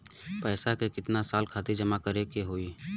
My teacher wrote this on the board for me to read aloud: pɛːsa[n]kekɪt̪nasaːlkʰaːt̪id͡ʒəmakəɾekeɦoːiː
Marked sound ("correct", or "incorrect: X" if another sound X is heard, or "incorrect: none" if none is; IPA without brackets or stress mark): incorrect: none